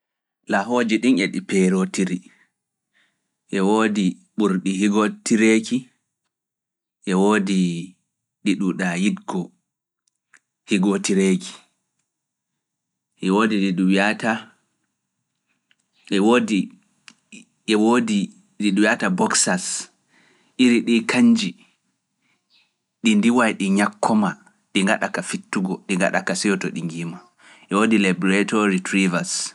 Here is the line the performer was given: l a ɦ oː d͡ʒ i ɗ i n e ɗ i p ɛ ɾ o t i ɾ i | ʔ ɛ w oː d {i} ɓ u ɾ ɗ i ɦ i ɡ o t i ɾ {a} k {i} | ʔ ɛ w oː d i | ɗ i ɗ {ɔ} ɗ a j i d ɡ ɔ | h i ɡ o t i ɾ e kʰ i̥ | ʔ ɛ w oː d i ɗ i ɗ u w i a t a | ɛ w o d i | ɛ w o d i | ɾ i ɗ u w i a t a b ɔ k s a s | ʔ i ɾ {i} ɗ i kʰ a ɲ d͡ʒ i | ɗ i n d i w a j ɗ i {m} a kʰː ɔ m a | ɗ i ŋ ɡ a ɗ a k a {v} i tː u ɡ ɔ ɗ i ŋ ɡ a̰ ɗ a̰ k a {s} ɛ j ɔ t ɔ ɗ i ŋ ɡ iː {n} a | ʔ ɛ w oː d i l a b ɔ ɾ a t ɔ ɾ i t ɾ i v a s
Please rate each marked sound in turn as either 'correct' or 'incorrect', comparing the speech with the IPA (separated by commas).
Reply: correct, incorrect, correct, incorrect, correct, incorrect, incorrect, correct, incorrect